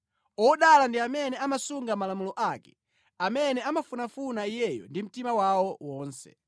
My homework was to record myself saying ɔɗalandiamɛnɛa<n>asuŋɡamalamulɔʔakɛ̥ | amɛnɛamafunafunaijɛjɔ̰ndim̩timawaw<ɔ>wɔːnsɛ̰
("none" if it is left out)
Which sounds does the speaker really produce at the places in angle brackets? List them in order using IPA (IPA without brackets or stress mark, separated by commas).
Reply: m, ɔ